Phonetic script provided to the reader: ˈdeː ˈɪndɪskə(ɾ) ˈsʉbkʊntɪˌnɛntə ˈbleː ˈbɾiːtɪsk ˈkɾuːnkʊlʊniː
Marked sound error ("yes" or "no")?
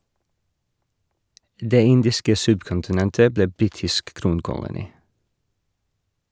yes